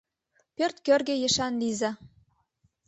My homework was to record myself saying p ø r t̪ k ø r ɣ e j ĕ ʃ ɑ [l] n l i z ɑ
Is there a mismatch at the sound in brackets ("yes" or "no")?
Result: yes